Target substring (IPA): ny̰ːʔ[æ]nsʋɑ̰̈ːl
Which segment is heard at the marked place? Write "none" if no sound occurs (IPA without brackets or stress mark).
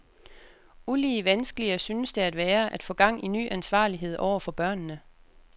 æ